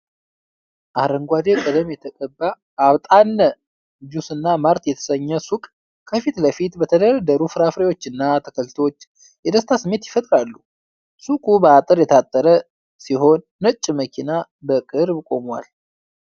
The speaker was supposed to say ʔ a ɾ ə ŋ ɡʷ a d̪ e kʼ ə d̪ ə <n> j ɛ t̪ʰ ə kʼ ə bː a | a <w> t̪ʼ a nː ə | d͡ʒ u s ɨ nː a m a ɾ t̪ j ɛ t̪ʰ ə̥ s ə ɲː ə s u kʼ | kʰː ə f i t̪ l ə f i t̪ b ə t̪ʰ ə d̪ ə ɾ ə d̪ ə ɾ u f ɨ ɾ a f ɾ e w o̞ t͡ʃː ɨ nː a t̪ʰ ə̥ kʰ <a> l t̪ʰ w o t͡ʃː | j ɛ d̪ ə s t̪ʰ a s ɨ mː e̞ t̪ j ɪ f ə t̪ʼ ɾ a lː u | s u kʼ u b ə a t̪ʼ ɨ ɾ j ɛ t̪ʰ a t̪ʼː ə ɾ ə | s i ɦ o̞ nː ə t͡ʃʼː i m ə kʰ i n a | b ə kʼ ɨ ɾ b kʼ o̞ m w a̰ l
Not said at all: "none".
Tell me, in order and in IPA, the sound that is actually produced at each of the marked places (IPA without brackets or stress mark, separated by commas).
m, β, ə